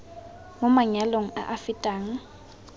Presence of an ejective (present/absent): present